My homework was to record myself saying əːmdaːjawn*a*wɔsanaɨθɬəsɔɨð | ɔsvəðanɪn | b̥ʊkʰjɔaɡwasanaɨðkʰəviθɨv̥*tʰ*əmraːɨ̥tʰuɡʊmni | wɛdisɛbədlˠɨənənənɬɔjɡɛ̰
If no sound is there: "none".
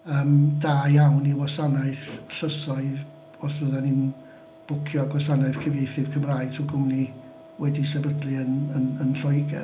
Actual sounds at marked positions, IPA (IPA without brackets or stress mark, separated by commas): i, kʰ